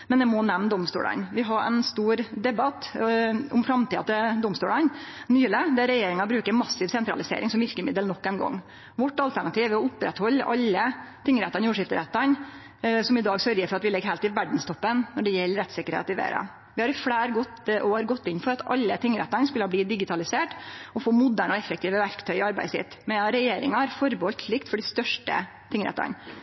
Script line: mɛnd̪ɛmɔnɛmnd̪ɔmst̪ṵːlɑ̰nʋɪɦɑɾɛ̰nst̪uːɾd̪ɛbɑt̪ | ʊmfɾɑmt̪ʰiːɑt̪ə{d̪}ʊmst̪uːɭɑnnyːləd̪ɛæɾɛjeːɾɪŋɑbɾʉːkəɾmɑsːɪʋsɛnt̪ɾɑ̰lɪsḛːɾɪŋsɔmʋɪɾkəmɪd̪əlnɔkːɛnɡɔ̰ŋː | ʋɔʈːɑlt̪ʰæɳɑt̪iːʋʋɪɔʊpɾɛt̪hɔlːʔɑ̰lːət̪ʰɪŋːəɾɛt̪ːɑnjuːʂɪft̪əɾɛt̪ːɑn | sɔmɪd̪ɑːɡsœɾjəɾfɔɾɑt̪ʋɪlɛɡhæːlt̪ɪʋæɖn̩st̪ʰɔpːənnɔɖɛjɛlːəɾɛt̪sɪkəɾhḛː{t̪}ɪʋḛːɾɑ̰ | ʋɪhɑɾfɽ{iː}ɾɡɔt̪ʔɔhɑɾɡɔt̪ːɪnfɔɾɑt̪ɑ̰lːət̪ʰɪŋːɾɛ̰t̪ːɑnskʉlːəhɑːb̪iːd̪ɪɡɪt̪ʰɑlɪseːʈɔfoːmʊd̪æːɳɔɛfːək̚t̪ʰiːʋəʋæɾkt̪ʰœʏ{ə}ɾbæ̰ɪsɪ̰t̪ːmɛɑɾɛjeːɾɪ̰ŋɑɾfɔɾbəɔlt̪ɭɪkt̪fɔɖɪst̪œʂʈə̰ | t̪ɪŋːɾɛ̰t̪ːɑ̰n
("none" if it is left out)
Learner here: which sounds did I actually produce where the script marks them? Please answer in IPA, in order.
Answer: d̪, t̪, æː, ɑ

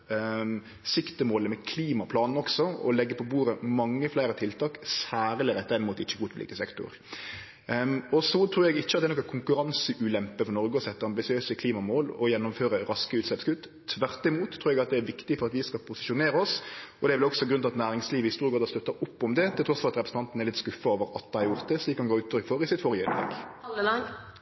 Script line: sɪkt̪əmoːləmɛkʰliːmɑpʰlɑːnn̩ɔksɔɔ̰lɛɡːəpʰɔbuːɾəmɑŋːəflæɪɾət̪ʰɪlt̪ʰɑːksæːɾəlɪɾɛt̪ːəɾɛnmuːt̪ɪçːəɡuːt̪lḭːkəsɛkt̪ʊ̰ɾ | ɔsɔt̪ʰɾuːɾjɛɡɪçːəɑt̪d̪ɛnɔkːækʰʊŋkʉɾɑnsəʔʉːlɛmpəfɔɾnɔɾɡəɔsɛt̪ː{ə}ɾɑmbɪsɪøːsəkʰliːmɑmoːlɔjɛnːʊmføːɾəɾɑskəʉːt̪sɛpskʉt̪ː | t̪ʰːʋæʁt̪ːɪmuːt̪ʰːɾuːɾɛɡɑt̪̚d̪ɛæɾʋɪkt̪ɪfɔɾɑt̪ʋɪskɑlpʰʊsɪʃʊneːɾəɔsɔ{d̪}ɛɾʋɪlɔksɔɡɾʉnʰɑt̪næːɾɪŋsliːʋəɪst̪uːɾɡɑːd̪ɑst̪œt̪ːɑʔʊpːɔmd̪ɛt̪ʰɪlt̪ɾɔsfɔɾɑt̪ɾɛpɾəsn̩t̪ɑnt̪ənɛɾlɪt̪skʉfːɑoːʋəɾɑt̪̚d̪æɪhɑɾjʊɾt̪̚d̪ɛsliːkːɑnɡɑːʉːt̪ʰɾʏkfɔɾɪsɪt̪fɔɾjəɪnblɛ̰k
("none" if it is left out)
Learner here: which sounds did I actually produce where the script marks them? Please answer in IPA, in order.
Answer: ə, d̪

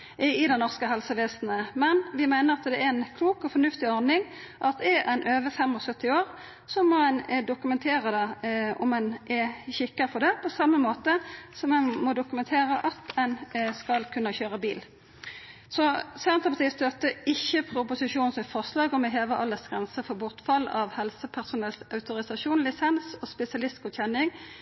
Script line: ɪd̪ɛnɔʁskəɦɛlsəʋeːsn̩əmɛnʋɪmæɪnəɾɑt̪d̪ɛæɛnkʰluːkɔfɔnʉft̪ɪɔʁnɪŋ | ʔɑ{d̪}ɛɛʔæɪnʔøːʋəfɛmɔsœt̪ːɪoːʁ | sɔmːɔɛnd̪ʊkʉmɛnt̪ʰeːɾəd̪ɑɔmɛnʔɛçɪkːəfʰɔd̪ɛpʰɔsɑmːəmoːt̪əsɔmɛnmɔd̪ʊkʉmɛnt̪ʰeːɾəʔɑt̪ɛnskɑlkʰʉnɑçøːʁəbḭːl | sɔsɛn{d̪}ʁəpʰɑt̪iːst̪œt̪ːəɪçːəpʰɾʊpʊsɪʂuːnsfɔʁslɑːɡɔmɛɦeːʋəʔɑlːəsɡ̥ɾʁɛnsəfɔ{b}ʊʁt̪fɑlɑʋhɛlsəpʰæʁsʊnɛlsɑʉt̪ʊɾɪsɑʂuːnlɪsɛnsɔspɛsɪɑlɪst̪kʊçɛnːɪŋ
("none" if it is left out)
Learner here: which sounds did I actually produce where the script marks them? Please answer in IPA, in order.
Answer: t̪, t̪, b

